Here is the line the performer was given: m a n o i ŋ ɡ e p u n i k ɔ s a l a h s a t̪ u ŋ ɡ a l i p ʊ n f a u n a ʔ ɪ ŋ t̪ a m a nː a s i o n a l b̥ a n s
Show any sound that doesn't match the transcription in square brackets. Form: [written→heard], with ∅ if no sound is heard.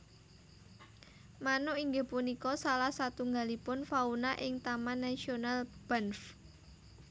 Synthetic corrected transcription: m a n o i ŋ ɡ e p u n i k ɔ s a l a h s a t̪ u ŋ ɡ a l i p ʊ n f a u n a ʔ ɪ ŋ t̪ a m a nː a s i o n a l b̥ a n [s→f]